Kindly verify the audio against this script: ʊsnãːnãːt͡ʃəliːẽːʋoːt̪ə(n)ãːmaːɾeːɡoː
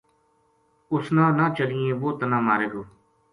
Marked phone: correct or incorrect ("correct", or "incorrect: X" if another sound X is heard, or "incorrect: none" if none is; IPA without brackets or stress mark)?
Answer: correct